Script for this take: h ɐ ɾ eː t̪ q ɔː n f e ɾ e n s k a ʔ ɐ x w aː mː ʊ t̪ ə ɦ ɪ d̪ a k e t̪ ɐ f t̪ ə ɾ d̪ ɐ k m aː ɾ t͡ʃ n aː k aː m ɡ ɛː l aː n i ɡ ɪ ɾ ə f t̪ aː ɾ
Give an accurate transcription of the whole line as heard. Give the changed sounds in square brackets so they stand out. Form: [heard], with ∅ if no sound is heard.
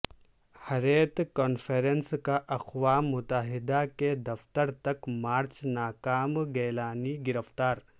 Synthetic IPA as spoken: h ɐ ɾ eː t̪ [k] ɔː n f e ɾ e n s k a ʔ ɐ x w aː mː ʊ t̪ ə ɦ ɪ d̪ a k e [d̪] ɐ f t̪ ə ɾ [t̪] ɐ k m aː ɾ t͡ʃ n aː k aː m ɡ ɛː l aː n i ɡ ɪ ɾ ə f t̪ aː ɾ

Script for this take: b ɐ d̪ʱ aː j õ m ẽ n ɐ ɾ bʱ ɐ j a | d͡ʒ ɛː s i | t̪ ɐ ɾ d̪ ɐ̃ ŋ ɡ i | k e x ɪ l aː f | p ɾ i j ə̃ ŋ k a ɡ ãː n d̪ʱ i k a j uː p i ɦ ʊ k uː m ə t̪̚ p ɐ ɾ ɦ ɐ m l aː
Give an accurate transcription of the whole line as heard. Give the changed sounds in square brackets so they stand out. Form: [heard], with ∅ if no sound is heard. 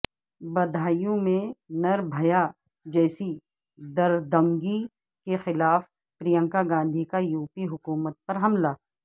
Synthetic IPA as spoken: b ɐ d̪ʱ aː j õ m ẽ n ɐ ɾ bʱ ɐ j a | d͡ʒ ɛː s i | [d̪] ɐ ɾ d̪ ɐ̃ ŋ ɡ i | k e x ɪ l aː f | p ɾ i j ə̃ ŋ k a ɡ ãː n d̪ʱ i k a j uː p i ɦ ʊ k uː m ə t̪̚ p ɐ ɾ ɦ ɐ m l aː

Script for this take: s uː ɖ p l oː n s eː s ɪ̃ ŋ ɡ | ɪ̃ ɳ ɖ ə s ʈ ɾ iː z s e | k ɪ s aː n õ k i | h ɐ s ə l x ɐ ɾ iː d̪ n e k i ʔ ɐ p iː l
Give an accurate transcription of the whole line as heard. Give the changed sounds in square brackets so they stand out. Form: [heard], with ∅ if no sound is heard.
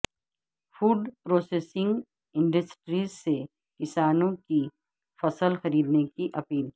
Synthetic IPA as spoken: [f] uː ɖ p [ɾ] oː [∅] s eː s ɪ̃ ŋ ɡ | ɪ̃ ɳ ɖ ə s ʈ ɾ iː z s e | k ɪ s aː n õ k i | [f] ɐ s ə l x ɐ ɾ iː d̪ n e k i ʔ ɐ p iː l

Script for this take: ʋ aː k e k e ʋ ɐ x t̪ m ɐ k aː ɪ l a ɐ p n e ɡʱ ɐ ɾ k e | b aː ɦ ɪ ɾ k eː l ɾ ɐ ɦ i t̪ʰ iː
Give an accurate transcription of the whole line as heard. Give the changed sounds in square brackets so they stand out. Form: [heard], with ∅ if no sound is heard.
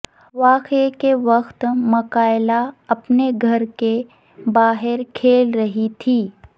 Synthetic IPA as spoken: ʋ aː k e k e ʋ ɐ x t̪ m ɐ k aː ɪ l a ɐ p n e ɡʱ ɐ ɾ k e | b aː ɦ ɪ ɾ [kʰ] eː l ɾ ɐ ɦ i t̪ʰ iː

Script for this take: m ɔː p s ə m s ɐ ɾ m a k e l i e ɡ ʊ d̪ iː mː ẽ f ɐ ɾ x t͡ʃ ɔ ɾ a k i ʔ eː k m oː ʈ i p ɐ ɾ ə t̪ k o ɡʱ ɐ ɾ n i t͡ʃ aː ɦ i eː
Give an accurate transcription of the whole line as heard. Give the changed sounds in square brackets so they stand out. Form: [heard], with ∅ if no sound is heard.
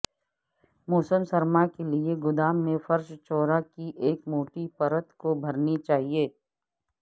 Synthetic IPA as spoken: m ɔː [∅] s ə m s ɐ ɾ m a k e l i e ɡ ʊ d̪ [aː] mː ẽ f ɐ ɾ [ʃ] t͡ʃ [ɔː] ɾ a k i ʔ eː k m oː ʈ i p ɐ ɾ ə t̪ k o [bʱ] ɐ ɾ n i t͡ʃ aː ɦ i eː

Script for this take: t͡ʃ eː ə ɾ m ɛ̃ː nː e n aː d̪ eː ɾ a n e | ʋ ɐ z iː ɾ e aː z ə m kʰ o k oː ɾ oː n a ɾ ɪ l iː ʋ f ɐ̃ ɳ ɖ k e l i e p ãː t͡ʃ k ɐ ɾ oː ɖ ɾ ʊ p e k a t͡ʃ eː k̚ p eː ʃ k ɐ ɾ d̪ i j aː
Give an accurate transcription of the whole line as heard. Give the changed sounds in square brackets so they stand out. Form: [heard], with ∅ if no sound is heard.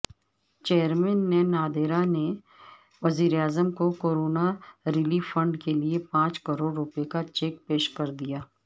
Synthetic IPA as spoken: t͡ʃ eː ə ɾ m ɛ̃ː nː e n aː d̪ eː ɾ a n e | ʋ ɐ z iː ɾ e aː z ə m [k] o k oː ɾ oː n a ɾ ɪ l iː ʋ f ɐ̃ ɳ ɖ k e l i e p ãː t͡ʃ k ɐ ɾ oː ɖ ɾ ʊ p e k a t͡ʃ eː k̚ p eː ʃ k ɐ ɾ d̪ i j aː

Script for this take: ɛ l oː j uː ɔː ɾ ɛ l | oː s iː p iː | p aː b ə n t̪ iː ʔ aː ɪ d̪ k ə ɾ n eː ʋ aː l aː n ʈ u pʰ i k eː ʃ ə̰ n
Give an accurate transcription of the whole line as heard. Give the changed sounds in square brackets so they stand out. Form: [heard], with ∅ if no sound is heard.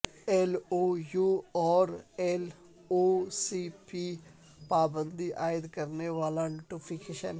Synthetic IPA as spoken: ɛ l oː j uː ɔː ɾ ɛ l | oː s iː p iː | p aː b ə n [d̪] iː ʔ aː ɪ d̪ k ə ɾ n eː ʋ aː l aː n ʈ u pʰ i k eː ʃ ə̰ n

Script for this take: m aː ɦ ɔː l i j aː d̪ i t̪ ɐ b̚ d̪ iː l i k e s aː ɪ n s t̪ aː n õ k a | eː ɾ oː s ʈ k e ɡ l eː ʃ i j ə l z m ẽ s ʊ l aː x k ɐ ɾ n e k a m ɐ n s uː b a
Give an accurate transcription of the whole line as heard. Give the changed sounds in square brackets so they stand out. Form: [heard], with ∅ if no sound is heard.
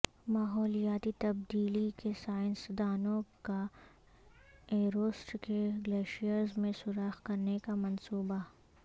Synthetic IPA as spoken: m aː ɦ ɔː l i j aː [t̪] i t̪ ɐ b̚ d̪ iː l i k e s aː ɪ n s [d̪] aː n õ k a | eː ɾ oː s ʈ k e ɡ l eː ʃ i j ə [ɾ] z m ẽ s ʊ [ɾ] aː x k ɐ ɾ n e k a m ɐ n s uː b a

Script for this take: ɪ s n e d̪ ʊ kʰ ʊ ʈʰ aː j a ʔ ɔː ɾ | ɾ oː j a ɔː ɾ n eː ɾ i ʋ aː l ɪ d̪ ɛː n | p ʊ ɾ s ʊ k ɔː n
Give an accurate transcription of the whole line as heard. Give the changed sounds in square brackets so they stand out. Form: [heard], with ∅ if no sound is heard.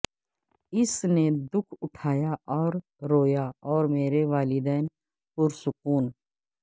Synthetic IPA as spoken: ɪ s n e d̪ ʊ kʰ ʊ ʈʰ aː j a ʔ ɔː ɾ | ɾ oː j a ɔː ɾ [m] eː ɾ [e] ʋ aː l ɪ d̪ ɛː n | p ʊ ɾ s ʊ k [uː] n

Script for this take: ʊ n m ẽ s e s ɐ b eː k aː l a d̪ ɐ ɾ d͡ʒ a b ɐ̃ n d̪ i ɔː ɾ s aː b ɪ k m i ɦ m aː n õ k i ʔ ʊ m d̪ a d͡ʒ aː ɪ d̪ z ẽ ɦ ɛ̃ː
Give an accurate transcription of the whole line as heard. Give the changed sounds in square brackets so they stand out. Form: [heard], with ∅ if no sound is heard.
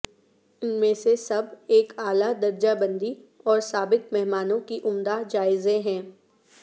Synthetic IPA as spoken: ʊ n m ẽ s e s ɐ b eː k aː l a d̪ ɐ ɾ d͡ʒ a b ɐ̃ n d̪ i ɔː ɾ s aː b ɪ k m [ɛ] ɦ m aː n õ k i ʔ ʊ m d̪ a d͡ʒ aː ɪ [∅] z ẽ ɦ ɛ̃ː

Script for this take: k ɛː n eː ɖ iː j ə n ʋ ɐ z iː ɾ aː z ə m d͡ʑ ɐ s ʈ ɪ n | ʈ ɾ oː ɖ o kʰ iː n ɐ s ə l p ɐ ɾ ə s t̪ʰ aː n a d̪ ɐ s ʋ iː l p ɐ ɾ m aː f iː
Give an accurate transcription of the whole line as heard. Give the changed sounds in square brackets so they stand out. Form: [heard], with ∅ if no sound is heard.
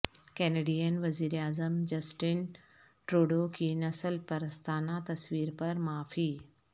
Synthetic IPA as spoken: k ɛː n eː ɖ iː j ə n ʋ ɐ z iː ɾ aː z ə m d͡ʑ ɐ s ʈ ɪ n | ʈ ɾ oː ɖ o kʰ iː n ɐ s ə l p ɐ ɾ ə s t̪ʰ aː n a [t̪] ɐ s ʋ iː [ɾ] p ɐ ɾ m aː f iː

